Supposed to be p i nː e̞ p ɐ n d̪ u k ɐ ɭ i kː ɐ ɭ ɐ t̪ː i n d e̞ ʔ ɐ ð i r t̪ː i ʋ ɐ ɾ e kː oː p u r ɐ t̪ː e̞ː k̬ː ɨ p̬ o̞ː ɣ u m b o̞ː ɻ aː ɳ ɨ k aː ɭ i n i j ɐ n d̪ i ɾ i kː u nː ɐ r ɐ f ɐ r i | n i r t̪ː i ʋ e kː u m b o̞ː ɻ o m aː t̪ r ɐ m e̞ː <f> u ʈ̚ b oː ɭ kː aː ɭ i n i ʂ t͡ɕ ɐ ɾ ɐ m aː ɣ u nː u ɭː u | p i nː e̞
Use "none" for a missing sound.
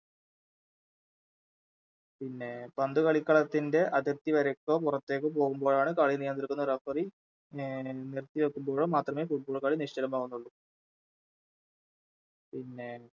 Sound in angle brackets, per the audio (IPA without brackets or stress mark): f